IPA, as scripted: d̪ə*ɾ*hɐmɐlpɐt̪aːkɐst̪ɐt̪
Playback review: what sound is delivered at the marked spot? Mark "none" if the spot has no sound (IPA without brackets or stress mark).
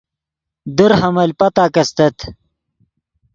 ɾ